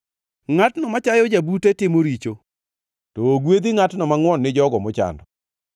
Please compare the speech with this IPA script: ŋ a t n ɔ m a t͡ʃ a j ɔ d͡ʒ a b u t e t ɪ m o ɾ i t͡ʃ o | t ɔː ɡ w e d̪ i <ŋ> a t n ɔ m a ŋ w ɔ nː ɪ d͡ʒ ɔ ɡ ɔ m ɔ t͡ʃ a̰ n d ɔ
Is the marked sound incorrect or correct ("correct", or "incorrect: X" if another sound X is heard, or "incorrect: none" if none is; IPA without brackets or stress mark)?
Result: correct